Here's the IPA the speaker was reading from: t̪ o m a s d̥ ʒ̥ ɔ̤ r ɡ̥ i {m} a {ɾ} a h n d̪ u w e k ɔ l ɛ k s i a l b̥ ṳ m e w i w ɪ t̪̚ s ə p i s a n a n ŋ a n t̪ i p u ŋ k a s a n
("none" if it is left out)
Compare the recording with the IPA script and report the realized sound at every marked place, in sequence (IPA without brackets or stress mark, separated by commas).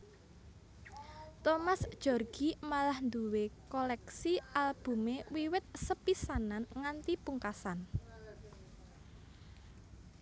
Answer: m, l